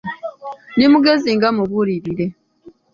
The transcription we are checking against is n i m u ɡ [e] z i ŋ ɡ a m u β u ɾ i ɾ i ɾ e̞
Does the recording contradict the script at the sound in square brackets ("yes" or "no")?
no